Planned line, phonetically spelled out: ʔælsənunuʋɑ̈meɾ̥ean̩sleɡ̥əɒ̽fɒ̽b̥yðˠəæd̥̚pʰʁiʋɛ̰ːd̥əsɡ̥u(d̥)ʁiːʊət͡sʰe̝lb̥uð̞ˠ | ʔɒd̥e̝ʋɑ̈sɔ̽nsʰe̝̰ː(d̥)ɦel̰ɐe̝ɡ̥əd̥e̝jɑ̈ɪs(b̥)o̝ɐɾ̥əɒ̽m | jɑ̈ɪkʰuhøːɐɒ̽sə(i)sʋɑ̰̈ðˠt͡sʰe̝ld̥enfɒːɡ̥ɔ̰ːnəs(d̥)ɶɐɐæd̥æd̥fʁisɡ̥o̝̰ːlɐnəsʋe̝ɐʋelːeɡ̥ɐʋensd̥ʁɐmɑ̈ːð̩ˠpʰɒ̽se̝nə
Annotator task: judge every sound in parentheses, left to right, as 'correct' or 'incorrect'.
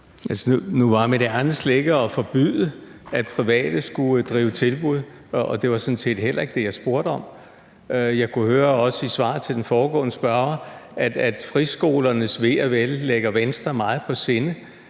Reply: correct, correct, correct, correct, incorrect: b̥

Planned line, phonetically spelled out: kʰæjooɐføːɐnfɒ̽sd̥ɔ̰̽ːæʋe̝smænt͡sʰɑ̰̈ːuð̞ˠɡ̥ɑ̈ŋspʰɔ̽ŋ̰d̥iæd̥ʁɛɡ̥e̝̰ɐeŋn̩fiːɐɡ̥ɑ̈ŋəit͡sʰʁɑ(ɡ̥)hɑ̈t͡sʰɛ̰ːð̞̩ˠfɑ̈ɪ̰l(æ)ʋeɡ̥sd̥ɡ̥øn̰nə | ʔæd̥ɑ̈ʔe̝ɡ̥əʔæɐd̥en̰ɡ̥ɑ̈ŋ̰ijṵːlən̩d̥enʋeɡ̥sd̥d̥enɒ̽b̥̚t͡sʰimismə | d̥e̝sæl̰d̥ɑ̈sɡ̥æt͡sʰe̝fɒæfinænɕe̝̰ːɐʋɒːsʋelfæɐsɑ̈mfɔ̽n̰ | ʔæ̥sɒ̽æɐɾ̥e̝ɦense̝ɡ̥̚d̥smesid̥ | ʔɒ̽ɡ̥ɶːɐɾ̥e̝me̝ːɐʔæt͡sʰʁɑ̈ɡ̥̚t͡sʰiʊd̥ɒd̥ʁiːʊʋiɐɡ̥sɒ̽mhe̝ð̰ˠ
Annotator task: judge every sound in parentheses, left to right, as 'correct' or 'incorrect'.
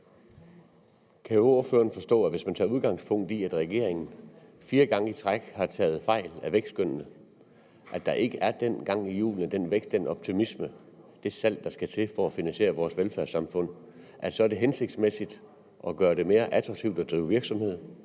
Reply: correct, correct

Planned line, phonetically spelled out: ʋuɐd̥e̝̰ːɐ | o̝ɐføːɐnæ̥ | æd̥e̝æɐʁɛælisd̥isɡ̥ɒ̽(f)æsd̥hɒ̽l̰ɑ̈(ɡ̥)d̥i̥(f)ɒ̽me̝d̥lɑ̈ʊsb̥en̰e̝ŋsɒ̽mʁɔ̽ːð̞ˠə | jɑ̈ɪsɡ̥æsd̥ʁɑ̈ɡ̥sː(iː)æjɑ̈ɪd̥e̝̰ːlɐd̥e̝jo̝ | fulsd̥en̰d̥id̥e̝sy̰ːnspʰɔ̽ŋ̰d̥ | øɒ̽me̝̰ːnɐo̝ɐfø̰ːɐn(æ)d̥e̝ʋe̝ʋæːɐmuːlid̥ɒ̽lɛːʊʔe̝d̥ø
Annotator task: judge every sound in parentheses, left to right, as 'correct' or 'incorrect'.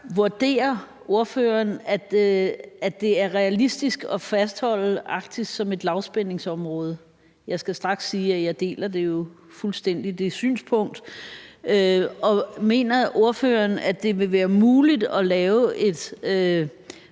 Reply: correct, correct, incorrect: s, correct, correct

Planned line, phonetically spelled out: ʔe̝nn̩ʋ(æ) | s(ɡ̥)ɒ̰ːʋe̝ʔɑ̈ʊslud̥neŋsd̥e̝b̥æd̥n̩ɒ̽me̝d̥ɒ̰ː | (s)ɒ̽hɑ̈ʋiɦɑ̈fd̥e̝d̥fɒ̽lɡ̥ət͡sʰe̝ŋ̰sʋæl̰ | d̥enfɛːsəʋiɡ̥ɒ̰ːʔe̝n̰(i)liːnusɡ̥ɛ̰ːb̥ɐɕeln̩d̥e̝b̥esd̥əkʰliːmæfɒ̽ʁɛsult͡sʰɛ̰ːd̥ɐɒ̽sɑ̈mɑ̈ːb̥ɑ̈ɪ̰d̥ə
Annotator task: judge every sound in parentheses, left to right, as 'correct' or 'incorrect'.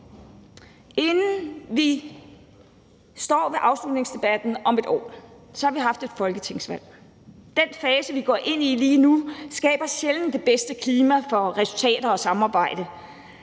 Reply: incorrect: i, incorrect: d̥, correct, correct

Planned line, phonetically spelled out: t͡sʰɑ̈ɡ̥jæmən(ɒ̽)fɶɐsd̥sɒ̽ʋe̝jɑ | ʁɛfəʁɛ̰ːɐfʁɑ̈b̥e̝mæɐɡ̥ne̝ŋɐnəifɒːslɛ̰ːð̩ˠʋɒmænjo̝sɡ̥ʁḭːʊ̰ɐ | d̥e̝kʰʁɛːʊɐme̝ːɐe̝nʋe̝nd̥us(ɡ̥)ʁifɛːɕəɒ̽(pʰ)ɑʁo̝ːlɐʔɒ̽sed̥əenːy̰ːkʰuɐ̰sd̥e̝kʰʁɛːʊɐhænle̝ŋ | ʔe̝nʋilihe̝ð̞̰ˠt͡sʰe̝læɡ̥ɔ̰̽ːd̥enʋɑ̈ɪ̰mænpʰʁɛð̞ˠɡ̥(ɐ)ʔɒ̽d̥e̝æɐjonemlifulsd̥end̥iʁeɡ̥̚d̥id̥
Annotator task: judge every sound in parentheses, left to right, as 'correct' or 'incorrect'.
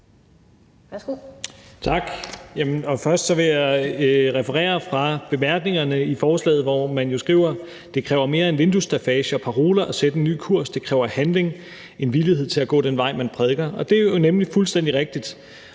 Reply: correct, incorrect: d̥, correct, correct

